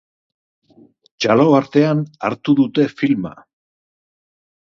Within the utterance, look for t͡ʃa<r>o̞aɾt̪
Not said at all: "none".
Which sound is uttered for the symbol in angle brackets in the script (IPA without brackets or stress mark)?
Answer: l